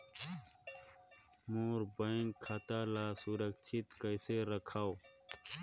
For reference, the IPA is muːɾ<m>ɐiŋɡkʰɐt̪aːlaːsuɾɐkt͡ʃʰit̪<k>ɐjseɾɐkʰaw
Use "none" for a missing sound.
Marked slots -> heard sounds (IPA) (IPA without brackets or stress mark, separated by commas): b, k